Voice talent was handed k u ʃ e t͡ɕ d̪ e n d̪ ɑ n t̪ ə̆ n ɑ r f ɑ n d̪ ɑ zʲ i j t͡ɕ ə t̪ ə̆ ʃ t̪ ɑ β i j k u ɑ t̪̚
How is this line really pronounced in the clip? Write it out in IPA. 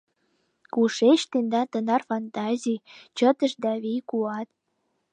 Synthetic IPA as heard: k u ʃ e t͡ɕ t̪ e n d̪ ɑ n t̪ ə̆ n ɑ r f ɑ n t̪ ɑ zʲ i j t͡ɕ ə t̪ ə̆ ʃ d̪ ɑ β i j k u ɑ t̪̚